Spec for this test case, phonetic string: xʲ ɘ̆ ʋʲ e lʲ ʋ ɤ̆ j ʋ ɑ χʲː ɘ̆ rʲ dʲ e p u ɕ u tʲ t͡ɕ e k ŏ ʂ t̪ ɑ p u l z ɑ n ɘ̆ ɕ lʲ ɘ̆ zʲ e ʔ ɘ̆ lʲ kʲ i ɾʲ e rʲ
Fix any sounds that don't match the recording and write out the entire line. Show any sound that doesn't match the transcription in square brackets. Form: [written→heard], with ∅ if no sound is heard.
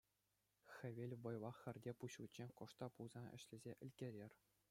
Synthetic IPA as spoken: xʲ ɘ̆ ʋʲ e lʲ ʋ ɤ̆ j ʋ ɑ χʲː ɘ̆ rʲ dʲ e p u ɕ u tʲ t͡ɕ e k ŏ ʂ t̪ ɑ p u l z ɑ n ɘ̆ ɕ lʲ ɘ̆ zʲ e ʔ ɘ̆ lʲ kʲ [i→e] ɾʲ e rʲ